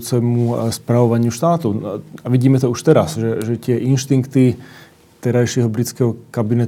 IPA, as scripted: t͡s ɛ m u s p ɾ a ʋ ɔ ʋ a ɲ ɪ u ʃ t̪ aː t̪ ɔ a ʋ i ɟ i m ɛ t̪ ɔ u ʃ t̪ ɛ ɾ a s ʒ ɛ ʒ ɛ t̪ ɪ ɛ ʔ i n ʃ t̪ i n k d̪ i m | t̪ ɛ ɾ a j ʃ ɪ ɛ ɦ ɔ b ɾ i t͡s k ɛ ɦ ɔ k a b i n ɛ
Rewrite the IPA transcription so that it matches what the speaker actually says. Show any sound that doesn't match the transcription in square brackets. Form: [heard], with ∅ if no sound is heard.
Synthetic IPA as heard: t͡s ɛ m u s p ɾ a ʋ ɔ ʋ a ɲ ɪ u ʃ t̪ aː t̪ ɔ a ʋ i ɟ [iː] m ɛ t̪ ɔ u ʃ t̪ ɛ ɾ a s ʒ ɛ ʒ ɛ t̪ ɪ ɛ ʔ i n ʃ t̪ i [ŋ] k [t̪] i [∅] | t̪ ɛ ɾ a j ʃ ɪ ɛ ɦ ɔ b ɾ i t͡s k ɛ ɦ ɔ k a b i n ɛ